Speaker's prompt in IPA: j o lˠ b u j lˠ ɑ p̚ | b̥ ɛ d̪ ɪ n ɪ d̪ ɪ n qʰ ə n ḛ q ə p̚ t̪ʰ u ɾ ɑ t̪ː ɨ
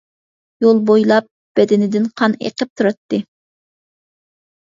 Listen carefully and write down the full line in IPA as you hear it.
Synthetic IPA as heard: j o lˠ b o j lˠ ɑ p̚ | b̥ ɛ d̪ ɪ n ɪ d̪ ɪ n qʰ ɑ n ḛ q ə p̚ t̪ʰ u ɾ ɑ t̪ː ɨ